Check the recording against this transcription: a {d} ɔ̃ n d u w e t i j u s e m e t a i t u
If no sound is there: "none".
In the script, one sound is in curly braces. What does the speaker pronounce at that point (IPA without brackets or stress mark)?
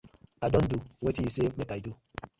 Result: d